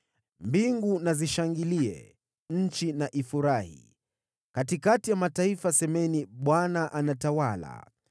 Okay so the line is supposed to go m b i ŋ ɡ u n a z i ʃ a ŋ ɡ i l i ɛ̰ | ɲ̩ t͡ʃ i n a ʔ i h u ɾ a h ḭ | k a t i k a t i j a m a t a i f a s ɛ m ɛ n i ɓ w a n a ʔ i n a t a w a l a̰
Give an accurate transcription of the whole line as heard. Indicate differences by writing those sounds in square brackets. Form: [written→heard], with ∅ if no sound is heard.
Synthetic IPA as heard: m b i ŋ ɡ u n a z i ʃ a ŋ ɡ i l i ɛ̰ | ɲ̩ t͡ʃ i n a ʔ i [h→f] u ɾ a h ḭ | k a t i k a t i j a m a t a i f a s ɛ m ɛ n i ɓ w a n a ʔ [i→a] n a t a w a l a̰